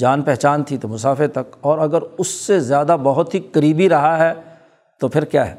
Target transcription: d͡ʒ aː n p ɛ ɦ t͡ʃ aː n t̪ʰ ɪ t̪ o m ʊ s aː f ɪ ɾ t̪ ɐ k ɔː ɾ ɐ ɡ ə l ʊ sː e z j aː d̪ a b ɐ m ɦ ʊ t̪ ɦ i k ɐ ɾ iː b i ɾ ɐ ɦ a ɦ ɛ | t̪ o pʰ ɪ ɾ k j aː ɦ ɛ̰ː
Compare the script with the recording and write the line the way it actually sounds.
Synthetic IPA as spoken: d͡ʒ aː n p ɛ ɦ t͡ʃ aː n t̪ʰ i t̪ o m ʊ s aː f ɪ ɾ t̪ ɐ k ɔː ɾ ɐ ɡ ə ɾ ʊ sː e z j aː d̪ a b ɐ ɦ ʊ t̪ ɦ i k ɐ ɾ iː b i ɾ ɐ ɦ a ɦ ɛ | t̪ o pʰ ɪ ɾ k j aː ɦ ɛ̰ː